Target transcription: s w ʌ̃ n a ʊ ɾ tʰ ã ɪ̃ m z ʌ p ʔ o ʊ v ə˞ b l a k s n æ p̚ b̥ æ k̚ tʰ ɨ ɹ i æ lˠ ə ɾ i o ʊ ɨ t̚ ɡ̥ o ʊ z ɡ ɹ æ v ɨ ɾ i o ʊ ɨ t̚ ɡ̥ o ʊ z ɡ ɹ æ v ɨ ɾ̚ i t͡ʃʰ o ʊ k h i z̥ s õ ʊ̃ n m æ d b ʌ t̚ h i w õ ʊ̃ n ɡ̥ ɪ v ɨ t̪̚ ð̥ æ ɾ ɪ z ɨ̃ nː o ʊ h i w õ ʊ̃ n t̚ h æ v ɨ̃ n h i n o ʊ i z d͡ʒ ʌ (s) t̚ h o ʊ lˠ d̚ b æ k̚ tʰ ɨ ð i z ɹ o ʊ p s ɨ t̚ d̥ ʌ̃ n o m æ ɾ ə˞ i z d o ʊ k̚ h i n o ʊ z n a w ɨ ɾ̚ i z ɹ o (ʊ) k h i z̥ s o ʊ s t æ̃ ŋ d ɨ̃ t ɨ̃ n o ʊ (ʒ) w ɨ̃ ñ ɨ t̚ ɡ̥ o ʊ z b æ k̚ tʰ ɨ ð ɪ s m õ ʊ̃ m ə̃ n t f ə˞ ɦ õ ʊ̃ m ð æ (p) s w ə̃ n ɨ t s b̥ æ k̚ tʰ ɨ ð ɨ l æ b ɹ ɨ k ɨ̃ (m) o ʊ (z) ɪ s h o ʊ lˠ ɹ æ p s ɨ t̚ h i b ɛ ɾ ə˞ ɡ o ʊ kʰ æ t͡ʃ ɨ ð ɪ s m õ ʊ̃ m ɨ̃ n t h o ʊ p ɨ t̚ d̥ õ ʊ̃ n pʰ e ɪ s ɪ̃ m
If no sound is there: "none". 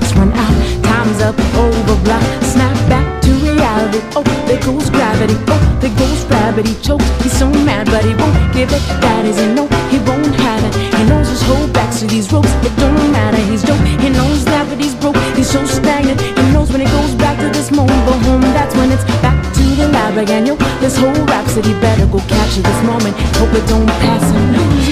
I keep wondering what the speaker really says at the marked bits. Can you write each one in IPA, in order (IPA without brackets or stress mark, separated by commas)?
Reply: s, ʊ, z, t, n, ð